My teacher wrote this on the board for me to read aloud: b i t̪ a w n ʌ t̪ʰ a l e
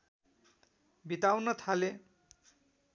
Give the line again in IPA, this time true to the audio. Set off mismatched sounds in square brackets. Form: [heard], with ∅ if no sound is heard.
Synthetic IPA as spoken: b i t̪ a w n ʌ t̪ʰ a l e